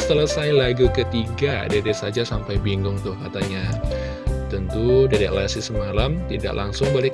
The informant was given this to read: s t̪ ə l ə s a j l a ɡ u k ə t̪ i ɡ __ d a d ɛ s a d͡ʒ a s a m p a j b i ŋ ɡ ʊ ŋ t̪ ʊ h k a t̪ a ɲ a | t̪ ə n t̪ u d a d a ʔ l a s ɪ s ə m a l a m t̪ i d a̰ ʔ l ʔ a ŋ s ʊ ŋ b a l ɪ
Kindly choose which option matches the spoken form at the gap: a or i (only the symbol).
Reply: a